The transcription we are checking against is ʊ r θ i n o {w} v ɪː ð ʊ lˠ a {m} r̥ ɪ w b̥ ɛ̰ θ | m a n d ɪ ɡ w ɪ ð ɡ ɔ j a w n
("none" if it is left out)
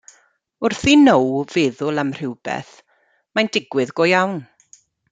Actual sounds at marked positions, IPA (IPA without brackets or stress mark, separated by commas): w, m